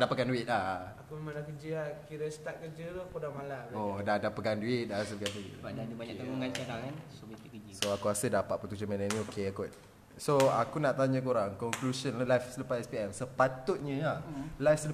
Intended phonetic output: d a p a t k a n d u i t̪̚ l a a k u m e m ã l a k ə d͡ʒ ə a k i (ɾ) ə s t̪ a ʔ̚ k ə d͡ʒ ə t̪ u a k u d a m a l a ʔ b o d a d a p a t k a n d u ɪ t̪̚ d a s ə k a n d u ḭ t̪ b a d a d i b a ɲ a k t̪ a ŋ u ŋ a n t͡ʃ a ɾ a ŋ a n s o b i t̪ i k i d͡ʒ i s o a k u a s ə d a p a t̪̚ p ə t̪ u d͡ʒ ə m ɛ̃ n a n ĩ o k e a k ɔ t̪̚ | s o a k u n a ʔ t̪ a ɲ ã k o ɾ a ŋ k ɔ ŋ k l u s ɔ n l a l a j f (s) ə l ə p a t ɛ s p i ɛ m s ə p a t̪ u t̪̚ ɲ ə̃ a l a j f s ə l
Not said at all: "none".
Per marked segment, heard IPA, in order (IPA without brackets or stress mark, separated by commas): ɾ, s